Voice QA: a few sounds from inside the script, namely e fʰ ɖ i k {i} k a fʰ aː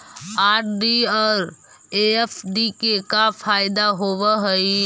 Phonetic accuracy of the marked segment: incorrect: e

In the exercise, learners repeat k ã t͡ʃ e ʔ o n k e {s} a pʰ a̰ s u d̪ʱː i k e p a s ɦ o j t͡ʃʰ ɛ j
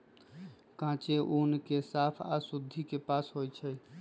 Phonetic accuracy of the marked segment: correct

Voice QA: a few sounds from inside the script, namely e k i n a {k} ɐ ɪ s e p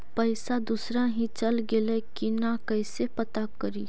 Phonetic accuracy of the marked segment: correct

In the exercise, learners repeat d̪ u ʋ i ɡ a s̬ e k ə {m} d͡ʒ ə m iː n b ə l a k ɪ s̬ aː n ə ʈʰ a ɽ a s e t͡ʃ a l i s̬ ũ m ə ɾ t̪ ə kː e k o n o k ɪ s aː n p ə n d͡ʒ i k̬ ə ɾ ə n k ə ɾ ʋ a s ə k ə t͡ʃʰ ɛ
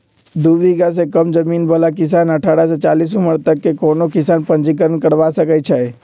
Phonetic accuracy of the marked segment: correct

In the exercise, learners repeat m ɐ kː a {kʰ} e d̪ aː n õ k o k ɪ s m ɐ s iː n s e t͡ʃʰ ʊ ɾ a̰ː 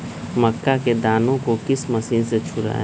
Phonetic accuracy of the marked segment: incorrect: k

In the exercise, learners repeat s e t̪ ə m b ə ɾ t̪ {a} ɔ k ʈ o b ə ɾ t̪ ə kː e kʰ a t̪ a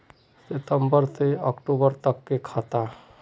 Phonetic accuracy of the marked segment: incorrect: e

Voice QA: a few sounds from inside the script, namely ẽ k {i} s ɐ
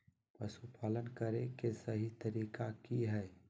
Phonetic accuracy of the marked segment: incorrect: e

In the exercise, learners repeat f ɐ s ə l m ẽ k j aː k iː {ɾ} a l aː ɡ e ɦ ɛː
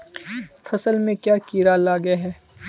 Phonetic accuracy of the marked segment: correct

